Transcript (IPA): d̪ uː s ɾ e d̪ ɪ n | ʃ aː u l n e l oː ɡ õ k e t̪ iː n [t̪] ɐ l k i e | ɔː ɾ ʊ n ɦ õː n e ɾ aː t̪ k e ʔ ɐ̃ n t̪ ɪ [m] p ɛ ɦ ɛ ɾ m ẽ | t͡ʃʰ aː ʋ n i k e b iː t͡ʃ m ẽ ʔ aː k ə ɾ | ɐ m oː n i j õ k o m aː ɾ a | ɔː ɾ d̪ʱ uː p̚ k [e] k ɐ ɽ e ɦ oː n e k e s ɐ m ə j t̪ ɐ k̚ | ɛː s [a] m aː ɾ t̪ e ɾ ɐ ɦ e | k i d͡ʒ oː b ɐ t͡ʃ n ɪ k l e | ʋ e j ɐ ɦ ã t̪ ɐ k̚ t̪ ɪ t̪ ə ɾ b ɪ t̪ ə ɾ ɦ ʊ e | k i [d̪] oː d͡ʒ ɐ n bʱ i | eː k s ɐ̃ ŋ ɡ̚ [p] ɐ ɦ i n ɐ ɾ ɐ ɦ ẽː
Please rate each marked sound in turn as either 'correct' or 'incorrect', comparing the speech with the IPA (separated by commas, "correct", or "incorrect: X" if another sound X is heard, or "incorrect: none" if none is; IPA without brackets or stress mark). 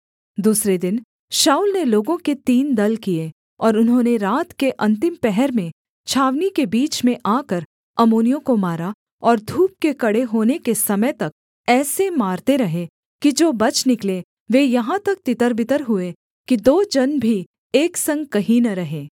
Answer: incorrect: d̪, correct, correct, incorrect: e, correct, incorrect: k